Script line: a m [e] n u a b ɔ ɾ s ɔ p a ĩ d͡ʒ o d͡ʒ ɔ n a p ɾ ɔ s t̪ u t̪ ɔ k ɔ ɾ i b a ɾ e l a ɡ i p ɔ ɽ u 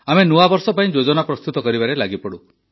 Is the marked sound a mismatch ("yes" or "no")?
no